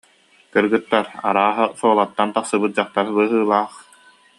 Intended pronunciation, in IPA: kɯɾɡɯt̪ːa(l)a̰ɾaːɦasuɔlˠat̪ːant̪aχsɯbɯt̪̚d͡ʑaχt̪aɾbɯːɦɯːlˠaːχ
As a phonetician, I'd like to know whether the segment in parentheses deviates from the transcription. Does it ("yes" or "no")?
yes